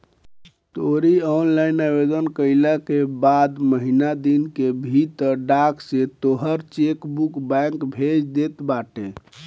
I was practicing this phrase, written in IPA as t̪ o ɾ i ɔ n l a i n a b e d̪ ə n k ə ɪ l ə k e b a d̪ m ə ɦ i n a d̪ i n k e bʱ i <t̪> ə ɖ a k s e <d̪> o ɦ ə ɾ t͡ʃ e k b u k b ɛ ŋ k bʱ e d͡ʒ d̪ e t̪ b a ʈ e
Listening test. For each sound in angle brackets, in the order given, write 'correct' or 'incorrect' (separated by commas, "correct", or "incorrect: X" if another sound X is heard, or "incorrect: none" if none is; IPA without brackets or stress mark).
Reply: correct, incorrect: t̪